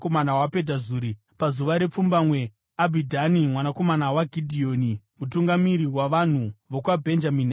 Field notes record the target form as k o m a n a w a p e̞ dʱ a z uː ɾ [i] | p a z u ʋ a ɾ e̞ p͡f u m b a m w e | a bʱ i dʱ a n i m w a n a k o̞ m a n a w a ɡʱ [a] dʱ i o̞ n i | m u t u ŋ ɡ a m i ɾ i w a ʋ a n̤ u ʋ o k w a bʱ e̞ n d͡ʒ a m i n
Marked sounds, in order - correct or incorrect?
correct, incorrect: i

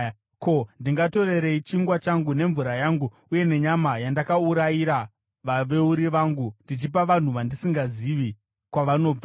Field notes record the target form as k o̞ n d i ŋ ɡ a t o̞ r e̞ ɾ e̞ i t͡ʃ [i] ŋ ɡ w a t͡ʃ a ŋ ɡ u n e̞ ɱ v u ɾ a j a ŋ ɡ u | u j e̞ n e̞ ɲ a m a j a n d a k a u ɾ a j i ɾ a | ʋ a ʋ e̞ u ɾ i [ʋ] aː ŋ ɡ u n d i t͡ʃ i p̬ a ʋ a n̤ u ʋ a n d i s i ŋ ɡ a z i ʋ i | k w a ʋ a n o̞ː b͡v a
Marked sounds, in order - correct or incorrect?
correct, correct

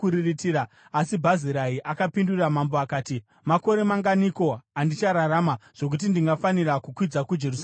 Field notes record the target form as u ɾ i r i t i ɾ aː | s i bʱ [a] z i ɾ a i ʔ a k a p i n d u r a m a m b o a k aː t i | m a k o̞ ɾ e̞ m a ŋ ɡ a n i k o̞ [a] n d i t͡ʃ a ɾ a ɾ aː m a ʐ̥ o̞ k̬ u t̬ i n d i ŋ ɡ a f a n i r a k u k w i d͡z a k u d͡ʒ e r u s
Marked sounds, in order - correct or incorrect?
correct, correct

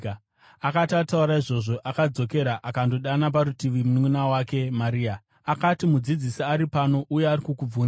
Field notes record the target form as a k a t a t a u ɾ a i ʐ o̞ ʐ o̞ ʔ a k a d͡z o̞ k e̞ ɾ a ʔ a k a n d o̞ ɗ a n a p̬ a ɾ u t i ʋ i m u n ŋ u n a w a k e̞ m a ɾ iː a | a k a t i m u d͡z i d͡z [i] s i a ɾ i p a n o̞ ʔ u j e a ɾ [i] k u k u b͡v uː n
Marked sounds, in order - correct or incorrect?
correct, correct

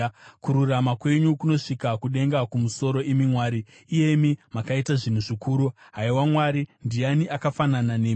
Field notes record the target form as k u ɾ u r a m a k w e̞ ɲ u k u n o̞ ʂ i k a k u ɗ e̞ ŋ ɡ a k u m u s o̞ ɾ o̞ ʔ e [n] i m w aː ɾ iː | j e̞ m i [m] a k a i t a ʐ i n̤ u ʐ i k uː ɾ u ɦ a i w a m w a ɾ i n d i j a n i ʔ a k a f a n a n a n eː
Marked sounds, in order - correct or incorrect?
incorrect: m, correct

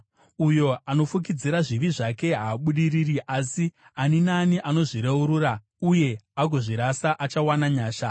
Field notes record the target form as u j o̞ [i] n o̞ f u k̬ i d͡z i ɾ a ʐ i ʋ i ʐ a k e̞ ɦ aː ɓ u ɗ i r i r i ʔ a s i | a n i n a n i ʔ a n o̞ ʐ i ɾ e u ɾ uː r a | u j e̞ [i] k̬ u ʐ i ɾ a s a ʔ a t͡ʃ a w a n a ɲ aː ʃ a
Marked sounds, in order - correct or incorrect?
incorrect: a, incorrect: a

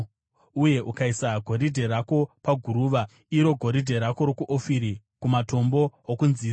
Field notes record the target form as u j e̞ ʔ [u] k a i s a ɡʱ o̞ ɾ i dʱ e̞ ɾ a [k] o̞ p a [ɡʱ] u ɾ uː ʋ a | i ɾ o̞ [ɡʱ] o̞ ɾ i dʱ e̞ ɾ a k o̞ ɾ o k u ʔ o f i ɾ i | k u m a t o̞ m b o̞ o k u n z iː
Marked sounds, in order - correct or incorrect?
correct, correct, correct, correct

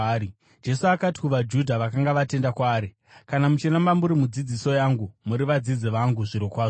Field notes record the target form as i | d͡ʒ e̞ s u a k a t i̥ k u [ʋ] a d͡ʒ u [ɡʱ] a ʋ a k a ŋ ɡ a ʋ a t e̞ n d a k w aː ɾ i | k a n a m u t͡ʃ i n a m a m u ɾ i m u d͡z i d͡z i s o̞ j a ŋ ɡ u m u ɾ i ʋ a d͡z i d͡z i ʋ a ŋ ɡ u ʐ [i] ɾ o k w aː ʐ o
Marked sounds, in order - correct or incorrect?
correct, incorrect: dʱ, correct

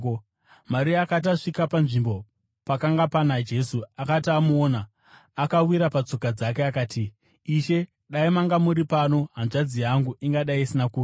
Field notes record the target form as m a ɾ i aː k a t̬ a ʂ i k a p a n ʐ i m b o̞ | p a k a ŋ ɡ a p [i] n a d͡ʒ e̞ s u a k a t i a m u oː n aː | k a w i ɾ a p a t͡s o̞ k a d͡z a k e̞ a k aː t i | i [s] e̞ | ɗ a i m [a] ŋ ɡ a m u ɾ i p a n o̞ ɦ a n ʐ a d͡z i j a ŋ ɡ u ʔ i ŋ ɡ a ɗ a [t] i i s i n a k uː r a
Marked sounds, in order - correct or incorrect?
incorrect: a, incorrect: ʃ, correct, incorrect: none

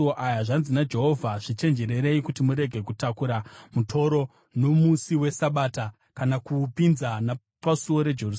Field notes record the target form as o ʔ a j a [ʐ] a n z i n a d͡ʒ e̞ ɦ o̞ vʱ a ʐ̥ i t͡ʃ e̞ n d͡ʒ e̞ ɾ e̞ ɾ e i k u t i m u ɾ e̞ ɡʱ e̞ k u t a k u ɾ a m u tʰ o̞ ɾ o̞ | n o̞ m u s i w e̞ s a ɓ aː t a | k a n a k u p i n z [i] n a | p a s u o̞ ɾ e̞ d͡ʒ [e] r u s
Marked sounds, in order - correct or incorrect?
correct, incorrect: a, correct

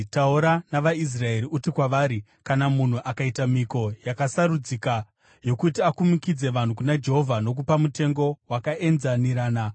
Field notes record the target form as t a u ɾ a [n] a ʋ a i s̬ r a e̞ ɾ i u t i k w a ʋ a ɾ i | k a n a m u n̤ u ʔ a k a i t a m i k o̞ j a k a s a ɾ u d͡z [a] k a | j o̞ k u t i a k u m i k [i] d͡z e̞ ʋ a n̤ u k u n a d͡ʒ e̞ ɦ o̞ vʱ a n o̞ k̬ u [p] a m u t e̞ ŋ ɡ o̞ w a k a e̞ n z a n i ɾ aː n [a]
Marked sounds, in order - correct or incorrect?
correct, incorrect: i, correct, correct, correct

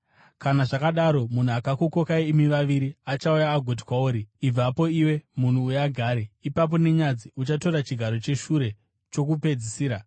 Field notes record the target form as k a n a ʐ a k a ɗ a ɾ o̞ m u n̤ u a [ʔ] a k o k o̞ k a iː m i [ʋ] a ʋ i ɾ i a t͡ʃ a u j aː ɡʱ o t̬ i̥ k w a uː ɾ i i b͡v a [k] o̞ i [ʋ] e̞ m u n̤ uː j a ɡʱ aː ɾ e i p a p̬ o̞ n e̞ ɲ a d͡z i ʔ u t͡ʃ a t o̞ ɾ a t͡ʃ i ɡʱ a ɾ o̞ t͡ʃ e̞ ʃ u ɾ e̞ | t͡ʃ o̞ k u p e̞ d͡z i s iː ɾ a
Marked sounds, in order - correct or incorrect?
incorrect: k, correct, incorrect: p, incorrect: w

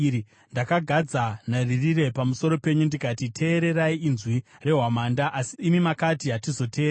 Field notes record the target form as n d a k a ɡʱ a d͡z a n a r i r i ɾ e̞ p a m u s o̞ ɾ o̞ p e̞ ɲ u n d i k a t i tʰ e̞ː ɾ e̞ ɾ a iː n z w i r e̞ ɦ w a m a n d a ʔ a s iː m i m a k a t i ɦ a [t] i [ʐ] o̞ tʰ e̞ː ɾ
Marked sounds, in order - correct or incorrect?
correct, incorrect: z

